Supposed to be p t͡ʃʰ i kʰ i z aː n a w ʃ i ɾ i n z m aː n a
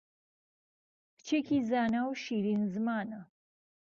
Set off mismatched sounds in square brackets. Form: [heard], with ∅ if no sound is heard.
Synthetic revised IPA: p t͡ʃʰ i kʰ i z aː n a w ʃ i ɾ i n z m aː n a